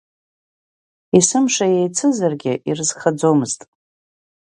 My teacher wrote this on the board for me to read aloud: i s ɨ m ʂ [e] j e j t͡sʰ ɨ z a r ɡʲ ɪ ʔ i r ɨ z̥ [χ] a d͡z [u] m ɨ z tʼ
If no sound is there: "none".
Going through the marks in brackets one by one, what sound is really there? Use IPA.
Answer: a, χ, o

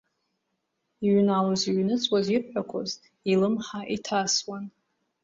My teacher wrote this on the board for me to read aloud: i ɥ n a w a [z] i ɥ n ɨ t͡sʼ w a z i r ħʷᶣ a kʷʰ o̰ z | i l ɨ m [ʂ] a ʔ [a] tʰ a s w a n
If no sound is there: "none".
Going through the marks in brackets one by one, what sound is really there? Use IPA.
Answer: z, ħ, i

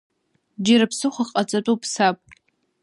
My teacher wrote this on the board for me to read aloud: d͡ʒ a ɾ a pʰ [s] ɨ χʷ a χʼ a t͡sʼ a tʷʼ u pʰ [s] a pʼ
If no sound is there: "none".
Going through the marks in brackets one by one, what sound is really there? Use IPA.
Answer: s, s

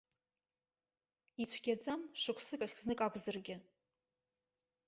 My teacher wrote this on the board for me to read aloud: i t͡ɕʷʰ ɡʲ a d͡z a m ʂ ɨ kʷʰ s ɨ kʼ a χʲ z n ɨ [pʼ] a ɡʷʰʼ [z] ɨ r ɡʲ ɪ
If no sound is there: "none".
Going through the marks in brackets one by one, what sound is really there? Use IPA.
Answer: kʼ, z

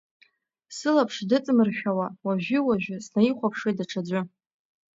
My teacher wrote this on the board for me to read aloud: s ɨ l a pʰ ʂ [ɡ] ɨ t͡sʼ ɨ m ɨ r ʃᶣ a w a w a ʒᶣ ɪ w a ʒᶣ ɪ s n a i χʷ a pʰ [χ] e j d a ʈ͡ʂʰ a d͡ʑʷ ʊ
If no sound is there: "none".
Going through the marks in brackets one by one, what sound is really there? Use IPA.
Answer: d, ʂ

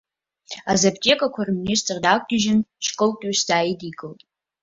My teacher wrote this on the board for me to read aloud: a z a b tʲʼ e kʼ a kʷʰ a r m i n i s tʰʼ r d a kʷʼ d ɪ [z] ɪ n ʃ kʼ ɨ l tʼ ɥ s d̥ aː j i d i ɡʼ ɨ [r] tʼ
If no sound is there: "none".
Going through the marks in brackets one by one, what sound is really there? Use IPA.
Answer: ʒ, l

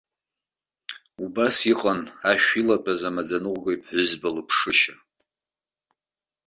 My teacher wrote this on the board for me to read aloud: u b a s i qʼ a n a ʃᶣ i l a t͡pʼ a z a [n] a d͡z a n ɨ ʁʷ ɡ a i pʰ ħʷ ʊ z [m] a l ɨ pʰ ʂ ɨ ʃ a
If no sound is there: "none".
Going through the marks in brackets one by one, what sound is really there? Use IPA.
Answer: m, b

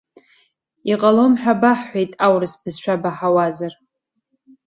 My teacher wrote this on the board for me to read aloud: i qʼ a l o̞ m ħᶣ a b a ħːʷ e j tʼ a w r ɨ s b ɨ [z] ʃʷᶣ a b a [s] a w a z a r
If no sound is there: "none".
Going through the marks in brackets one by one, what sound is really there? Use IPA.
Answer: z, ħ

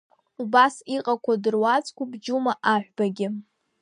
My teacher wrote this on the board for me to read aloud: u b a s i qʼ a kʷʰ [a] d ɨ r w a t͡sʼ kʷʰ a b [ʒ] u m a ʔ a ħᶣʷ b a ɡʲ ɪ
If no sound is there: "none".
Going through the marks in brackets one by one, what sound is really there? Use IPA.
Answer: a, d͡ʒ

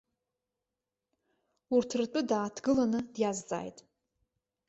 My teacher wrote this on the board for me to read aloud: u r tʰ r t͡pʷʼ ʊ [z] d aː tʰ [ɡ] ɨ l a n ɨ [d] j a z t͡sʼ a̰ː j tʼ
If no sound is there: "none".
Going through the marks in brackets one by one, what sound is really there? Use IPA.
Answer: none, ɡ, d

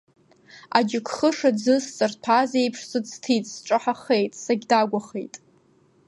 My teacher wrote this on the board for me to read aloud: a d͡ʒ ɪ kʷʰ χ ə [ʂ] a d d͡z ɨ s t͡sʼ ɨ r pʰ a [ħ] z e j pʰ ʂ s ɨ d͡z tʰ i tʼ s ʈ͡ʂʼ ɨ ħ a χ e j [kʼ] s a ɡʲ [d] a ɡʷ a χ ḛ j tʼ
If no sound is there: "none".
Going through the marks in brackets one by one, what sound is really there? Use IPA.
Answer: ʂ, none, tʼ, d

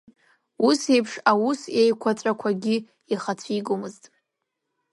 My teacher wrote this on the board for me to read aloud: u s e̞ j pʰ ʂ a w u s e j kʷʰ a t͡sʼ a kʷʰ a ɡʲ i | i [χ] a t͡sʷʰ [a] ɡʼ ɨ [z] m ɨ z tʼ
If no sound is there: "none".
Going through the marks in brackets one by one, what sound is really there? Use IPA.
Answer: χ, i, none

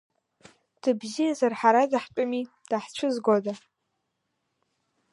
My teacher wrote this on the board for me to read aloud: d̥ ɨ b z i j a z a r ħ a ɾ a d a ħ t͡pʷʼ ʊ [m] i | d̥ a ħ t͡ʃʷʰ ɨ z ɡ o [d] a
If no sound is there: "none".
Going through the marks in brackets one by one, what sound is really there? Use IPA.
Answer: m, d

